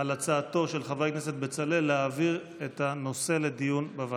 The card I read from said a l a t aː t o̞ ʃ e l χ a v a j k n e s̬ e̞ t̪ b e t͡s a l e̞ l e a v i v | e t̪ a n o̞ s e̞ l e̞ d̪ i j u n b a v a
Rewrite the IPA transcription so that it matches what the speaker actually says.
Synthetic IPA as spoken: a l a t͡s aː t o̞ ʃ e l χ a v a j k n e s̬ e̞ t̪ b e t͡s a l e̞ l e a v i ʁ | e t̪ a n o̞ s e̞ l e̞ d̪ i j u n b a v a